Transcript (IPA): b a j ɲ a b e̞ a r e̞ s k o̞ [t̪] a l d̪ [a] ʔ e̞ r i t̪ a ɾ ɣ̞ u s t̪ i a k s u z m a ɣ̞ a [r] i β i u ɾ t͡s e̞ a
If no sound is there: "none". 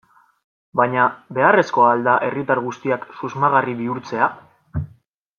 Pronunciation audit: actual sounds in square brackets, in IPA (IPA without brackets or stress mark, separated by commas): none, a, r